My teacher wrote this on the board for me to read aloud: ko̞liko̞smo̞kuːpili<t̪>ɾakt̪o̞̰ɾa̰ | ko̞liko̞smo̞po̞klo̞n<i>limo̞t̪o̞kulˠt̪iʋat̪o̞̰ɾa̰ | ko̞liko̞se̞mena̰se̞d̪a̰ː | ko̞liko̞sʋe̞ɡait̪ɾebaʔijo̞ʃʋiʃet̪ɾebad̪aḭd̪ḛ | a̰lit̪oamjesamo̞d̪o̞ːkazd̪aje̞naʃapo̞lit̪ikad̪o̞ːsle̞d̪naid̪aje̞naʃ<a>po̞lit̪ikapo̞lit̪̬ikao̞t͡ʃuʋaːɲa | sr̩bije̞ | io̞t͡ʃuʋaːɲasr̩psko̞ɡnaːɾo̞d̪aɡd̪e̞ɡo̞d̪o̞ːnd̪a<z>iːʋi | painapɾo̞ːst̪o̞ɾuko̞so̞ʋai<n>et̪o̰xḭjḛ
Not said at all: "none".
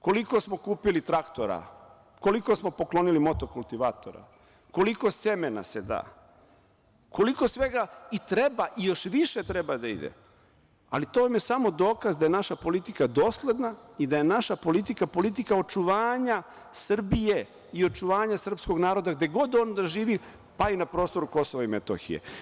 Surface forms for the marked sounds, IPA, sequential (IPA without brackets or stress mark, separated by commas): t̪, i, a, ʒ, m